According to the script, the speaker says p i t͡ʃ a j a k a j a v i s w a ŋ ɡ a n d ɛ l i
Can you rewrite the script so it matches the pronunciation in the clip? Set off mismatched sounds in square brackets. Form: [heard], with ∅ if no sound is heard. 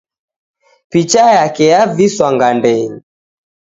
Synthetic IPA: p i t͡ʃ a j a k [ɛ] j a v i s w a ŋ ɡ a n d ɛ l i